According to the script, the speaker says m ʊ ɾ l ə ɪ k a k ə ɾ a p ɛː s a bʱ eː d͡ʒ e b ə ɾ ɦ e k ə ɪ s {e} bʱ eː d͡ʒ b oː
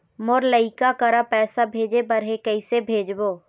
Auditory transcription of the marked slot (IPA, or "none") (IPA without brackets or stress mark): e